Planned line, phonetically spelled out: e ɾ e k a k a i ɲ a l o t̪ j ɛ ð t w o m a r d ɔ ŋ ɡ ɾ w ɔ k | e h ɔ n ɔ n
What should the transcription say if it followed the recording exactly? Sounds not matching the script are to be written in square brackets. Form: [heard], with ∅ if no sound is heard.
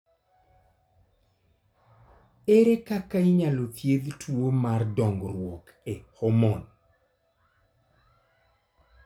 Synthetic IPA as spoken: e ɾ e k a k a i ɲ a l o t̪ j [e] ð t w o m a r d ɔ ŋ ɡ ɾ w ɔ k | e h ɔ [m] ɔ n